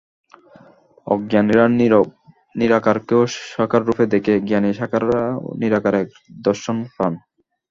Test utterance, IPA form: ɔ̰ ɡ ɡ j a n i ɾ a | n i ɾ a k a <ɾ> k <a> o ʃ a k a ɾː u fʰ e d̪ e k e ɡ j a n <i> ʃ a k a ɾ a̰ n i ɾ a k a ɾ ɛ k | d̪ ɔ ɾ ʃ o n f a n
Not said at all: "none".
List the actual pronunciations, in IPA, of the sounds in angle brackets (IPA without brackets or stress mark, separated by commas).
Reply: ɾ, e, i